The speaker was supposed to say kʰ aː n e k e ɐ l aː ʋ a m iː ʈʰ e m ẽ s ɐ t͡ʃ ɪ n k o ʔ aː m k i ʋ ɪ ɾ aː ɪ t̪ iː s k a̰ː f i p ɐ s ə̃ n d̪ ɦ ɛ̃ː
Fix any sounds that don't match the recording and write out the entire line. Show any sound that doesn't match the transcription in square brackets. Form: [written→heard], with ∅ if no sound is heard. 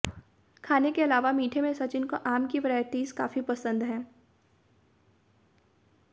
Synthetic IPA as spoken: kʰ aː n e k e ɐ l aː ʋ a m iː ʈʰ e m ẽ s ɐ t͡ʃ ɪ n k o ʔ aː m k i ʋ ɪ ɾ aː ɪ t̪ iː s k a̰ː f i p ɐ s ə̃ n d̪ ɦ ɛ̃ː

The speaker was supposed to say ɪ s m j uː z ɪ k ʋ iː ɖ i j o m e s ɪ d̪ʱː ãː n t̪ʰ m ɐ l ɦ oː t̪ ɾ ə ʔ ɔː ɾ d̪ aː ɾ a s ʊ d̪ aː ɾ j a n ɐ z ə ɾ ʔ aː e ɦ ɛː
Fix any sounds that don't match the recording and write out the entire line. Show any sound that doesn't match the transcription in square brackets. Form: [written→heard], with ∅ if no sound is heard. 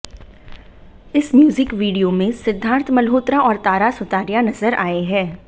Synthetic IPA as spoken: ɪ s m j uː z ɪ k ʋ iː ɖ i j o m [e→ẽ] s ɪ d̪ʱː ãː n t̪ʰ m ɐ l ɦ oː t̪ ɾ [ə→a] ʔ ɔː ɾ [d̪→t̪] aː ɾ a s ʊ [d̪→t̪] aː ɾ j a n ɐ z ə ɾ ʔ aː e ɦ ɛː

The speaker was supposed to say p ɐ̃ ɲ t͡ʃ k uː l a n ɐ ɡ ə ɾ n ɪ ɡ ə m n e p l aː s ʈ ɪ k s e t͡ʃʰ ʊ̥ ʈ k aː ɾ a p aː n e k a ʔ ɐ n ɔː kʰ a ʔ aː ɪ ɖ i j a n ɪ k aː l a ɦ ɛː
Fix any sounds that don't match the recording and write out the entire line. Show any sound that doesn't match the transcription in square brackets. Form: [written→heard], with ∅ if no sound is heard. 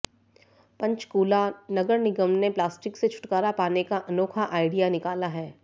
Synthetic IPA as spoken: p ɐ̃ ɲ t͡ʃ k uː l a n ɐ ɡ ə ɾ n ɪ ɡ ə m n e p l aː s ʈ ɪ k s e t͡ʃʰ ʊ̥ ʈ k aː ɾ a p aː n e k a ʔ ɐ n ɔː kʰ a ʔ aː ɪ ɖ i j a n ɪ k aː l a ɦ ɛː

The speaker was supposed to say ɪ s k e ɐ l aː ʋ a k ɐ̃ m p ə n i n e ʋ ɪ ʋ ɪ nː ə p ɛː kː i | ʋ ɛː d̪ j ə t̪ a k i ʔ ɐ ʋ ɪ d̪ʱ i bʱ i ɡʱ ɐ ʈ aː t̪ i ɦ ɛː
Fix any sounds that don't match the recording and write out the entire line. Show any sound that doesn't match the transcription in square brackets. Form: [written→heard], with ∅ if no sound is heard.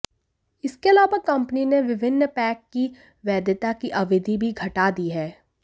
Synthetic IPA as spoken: ɪ s k e ɐ l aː ʋ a k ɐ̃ m p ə n i n e ʋ ɪ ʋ ɪ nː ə p ɛː kː i | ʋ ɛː d̪ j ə t̪ a k i ʔ ɐ ʋ ɪ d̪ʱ i bʱ i ɡʱ ɐ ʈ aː [t̪→d̪] i ɦ ɛː

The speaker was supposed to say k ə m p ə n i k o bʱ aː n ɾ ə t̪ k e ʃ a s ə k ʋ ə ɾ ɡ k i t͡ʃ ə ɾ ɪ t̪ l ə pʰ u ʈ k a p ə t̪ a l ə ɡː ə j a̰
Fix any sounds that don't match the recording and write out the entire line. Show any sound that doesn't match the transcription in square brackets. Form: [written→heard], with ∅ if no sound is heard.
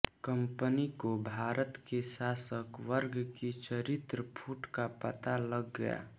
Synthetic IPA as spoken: k ə m p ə n i k o bʱ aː [n→∅] ɾ ə t̪ k e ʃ a s ə k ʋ ə ɾ ɡ k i t͡ʃ ə ɾ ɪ t̪ [l→ɾ] ə pʰ u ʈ k a p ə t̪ a l ə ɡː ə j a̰

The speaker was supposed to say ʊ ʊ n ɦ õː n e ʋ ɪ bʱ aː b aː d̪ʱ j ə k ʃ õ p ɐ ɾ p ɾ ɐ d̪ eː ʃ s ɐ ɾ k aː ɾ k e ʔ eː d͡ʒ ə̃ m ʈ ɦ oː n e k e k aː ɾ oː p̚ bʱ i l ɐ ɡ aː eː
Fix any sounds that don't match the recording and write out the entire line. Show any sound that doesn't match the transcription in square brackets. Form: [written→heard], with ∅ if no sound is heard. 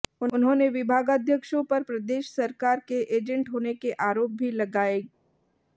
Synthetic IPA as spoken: ʊ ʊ n ɦ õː n e ʋ ɪ bʱ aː [b→ɡ] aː d̪ʱ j ə k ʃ õ p ɐ ɾ p ɾ ɐ d̪ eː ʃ s ɐ ɾ k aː ɾ k e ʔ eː d͡ʒ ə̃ [m→ɳ] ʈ ɦ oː n e k e [k→ʔ] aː ɾ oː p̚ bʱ i l ɐ ɡ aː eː

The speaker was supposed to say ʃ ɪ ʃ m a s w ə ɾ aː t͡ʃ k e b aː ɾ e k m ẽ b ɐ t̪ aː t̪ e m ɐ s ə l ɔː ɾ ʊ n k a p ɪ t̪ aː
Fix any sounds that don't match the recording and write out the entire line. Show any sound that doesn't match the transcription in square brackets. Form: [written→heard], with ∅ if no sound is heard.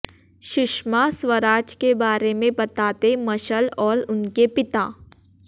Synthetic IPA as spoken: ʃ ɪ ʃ m a s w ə ɾ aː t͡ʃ k e b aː ɾ e [k→∅] m ẽ b ɐ t̪ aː t̪ e m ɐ [s→ʃ] ə l ɔː ɾ ʊ n k [a→e] p ɪ t̪ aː

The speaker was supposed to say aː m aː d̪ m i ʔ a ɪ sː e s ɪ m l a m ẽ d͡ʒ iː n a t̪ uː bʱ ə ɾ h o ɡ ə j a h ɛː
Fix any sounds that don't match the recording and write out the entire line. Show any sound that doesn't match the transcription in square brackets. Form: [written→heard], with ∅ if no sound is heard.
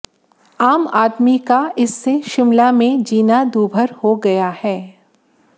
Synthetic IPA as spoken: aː m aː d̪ m i [ʔ→k] a ɪ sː e [s→ʃ] ɪ m l a m ẽ d͡ʒ iː n a [t̪→d̪] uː bʱ ə ɾ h o ɡ [ə→ɐ] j a h ɛː

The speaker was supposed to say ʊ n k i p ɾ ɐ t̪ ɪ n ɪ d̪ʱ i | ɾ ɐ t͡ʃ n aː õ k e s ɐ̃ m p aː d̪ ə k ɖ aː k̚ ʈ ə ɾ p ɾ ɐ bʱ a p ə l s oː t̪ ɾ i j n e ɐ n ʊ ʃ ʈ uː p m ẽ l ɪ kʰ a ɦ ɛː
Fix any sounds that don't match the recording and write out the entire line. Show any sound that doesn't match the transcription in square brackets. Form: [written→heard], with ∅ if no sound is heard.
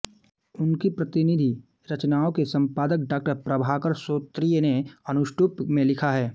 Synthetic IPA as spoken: ʊ n k i p ɾ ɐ t̪ ɪ n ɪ d̪ʱ i | ɾ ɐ t͡ʃ n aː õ k e s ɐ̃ m p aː d̪ ə k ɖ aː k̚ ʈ ə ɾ p ɾ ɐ bʱ a [p→k] ə [l→ɾ] s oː t̪ ɾ i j n e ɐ n ʊ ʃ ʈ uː p m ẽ l ɪ kʰ a ɦ ɛː

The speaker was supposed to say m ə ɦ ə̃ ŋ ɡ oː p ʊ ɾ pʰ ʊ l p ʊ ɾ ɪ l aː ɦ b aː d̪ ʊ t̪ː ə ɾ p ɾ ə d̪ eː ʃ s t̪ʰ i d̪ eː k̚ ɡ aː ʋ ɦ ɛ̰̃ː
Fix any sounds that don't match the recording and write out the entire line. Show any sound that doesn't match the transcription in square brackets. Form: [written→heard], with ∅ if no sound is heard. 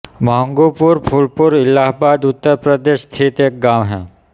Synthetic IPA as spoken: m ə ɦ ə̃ ŋ ɡ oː p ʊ ɾ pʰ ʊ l p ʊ ɾ ɪ l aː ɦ b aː d̪ ʊ t̪ː ə ɾ p ɾ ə d̪ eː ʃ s t̪ʰ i [d̪→t̪] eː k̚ ɡ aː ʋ ɦ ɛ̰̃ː

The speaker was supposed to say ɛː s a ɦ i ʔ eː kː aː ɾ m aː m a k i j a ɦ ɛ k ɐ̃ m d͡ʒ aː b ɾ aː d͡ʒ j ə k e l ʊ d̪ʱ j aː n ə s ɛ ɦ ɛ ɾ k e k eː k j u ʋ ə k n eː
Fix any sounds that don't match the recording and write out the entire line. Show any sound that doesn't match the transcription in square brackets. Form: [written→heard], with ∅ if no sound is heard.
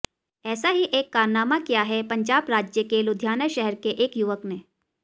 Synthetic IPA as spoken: ɛː s a ɦ i ʔ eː kː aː ɾ [m→n] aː m a k i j a ɦ ɛ [k→p] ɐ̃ [m→ɲ] d͡ʒ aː b ɾ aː d͡ʒ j ə k e l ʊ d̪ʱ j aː n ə [s→ʃ] ɛ ɦ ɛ ɾ k e [k→ʔ] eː k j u ʋ ə k n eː

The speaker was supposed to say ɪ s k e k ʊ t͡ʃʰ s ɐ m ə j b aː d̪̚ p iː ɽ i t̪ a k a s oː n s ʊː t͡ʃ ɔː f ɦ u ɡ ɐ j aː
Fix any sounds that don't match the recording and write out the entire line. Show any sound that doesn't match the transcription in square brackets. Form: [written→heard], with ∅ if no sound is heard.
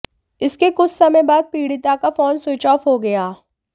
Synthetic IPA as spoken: ɪ s k e k ʊ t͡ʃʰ s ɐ m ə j b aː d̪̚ p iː ɽ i t̪ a k a [s→f] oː n s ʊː t͡ʃ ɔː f ɦ [u→o] ɡ ɐ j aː

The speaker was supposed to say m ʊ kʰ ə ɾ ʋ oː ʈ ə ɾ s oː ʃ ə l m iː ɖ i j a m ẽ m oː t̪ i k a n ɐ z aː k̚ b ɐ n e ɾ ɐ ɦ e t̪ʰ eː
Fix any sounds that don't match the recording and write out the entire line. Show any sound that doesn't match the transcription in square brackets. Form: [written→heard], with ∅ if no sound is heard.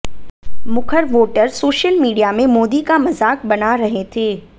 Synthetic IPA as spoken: m ʊ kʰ ə ɾ ʋ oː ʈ ə ɾ s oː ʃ ə l m iː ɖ i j a m ẽ m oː [t̪→d̪] i k a [n→m] ɐ z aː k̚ b ɐ n [e→a] ɾ ɐ ɦ e t̪ʰ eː

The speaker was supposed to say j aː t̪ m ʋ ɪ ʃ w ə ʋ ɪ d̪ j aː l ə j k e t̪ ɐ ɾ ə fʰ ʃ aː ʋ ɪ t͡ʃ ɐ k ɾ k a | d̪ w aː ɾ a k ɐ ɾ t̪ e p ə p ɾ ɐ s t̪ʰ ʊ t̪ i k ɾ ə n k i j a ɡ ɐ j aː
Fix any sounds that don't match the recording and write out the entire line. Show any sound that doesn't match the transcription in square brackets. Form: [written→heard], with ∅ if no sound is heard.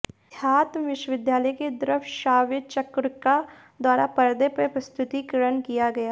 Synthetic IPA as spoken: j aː t̪ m ʋ ɪ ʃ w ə ʋ ɪ d̪ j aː l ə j k e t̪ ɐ ɾ ə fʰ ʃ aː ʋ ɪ t͡ʃ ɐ k ɾ k a | d̪ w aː ɾ a [k→p] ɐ ɾ [t̪→d̪] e p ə p ɾ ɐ s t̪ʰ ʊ t̪ i k ɾ ə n k i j a ɡ ɐ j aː

